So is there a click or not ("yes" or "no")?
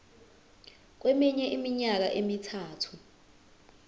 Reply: no